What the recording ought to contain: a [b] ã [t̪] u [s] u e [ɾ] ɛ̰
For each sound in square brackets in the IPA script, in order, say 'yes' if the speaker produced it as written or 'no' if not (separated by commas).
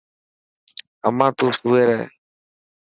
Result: no, yes, yes, yes